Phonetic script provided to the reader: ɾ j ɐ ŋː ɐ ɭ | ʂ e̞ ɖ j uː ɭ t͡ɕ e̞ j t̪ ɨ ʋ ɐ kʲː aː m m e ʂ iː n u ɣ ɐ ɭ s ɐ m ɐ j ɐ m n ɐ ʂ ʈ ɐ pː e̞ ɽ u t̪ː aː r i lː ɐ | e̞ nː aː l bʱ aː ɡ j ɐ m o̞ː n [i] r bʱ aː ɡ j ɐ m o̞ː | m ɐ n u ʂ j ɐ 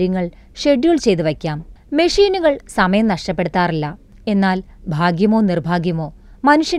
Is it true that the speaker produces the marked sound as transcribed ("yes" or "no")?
yes